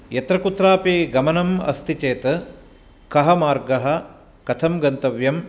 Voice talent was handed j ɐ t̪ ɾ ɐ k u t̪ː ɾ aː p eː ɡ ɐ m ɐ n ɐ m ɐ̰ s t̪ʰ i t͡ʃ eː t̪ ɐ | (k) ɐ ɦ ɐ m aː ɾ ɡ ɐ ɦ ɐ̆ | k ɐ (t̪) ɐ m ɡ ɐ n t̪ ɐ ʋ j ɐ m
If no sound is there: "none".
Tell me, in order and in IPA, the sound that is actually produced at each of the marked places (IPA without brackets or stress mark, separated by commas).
k, t̪ʰ